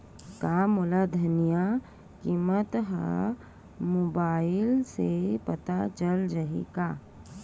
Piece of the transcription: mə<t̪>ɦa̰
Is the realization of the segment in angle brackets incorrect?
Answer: no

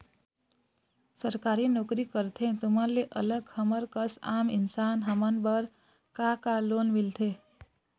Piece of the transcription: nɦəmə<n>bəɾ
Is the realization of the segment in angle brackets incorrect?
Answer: no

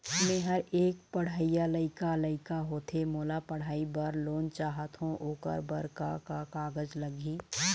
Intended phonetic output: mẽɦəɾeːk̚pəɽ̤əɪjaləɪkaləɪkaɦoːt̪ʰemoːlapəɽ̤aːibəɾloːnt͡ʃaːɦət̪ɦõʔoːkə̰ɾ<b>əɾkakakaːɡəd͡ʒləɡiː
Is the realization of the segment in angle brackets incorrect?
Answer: no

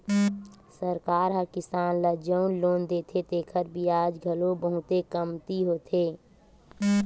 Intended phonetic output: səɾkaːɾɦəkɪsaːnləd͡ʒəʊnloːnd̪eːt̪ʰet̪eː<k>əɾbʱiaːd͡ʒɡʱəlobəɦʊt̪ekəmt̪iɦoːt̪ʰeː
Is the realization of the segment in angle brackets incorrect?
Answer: yes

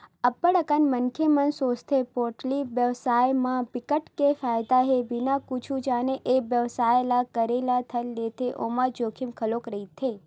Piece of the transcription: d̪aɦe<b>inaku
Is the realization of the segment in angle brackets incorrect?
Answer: no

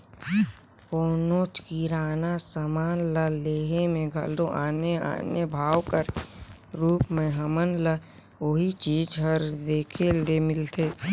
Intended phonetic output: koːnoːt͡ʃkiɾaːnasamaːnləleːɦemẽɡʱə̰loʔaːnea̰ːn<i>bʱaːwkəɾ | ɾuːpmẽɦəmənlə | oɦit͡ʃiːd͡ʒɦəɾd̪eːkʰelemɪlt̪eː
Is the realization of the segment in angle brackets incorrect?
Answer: yes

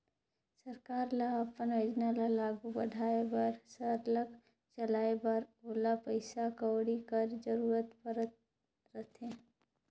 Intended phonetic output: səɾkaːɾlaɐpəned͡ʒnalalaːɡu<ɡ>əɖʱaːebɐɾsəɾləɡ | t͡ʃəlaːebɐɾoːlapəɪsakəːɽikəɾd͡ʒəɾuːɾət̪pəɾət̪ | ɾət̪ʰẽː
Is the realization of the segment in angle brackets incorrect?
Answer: yes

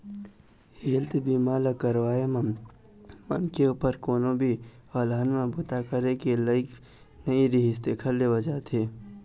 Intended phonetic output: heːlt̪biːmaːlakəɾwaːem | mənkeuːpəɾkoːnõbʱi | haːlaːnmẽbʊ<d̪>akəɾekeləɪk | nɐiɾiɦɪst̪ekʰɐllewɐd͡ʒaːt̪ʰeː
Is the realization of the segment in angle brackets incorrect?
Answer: yes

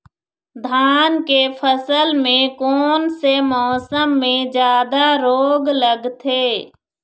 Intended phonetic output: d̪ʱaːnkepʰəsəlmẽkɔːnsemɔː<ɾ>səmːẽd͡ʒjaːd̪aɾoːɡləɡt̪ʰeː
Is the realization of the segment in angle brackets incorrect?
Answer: yes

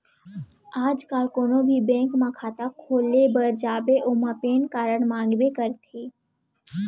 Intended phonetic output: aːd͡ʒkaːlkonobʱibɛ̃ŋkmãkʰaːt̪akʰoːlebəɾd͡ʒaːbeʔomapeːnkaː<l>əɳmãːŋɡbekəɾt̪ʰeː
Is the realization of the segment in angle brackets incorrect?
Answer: yes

